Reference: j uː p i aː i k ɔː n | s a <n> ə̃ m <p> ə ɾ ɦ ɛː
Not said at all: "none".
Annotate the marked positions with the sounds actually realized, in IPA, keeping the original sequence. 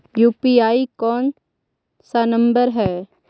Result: n, b

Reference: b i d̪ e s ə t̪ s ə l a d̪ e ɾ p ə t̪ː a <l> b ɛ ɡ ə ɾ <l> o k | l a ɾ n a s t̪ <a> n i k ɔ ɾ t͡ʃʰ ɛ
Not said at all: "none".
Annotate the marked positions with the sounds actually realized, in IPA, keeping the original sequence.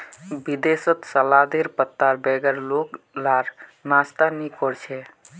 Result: ɾ, l, a

